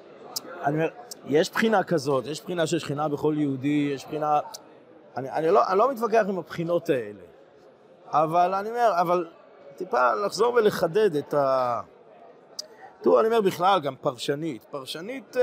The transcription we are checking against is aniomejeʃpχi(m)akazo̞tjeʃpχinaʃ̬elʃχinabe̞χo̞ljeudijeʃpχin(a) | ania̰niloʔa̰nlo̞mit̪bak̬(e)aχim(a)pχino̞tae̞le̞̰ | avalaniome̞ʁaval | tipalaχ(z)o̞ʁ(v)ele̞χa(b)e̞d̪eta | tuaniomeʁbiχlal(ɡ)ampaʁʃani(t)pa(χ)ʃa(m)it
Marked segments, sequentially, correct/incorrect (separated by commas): incorrect, correct, correct, correct, correct, correct, incorrect, correct, correct, incorrect, incorrect